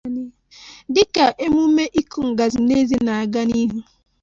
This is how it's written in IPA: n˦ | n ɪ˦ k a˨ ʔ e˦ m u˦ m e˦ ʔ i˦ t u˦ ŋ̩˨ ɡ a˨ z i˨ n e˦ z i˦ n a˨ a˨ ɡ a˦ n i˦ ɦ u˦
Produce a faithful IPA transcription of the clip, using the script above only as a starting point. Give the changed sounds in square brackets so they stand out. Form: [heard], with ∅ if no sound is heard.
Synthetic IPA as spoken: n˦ | [d] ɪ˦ k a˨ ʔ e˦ m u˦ m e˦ ʔ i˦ [k] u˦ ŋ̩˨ ɡ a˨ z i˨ n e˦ z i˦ n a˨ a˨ ɡ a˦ n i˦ ɦ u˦